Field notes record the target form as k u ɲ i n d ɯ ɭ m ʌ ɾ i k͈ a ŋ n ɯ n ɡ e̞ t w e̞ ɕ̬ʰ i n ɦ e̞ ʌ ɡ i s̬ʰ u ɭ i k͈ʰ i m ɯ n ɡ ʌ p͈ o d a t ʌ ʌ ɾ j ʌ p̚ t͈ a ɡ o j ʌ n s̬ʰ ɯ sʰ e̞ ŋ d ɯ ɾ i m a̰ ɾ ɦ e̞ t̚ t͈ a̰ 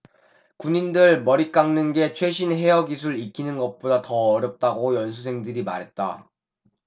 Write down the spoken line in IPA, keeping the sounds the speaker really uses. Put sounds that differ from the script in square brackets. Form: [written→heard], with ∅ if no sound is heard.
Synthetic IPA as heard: k u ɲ i n d ɯ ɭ m ʌ ɾ i k͈ a ŋ n ɯ n ɡ e̞ [t→t͡ɕʰ] w e̞ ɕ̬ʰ i n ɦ e̞ ʌ ɡ i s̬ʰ u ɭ i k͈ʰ i [m→n] ɯ n ɡ ʌ p͈ o d a t ʌ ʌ ɾ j ʌ p̚ t͈ a ɡ o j ʌ n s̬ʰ [ɯ→u] sʰ e̞ ŋ d ɯ ɾ i m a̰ ɾ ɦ e̞ t̚ t͈ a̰